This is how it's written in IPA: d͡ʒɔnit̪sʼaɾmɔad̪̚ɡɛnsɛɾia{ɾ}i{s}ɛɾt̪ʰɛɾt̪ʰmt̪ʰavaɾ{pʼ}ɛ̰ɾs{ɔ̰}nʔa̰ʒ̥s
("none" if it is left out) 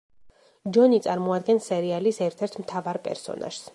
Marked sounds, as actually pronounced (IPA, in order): l, s, pʼ, ɔ̰

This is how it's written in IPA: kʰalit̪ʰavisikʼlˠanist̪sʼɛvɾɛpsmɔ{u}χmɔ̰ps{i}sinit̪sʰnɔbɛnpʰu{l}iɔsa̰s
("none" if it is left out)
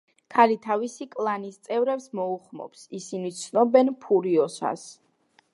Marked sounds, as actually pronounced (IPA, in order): u, i, ɾ

